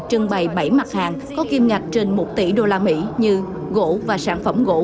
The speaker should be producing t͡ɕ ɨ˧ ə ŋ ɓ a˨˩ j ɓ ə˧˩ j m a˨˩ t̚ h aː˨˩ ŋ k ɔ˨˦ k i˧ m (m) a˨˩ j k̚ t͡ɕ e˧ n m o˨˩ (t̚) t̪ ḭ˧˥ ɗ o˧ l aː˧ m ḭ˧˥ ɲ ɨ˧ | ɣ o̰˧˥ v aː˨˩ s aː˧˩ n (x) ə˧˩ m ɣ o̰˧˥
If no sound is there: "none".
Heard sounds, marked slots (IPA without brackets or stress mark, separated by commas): ŋ, t̚, f